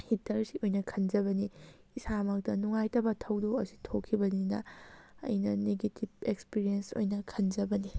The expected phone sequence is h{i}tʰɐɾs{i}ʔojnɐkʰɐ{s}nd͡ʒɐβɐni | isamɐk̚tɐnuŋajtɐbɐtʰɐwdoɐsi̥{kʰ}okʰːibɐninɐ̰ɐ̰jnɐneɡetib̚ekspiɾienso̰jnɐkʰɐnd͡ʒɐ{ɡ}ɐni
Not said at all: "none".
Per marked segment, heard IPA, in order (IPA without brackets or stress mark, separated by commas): i, i, none, tʰ, b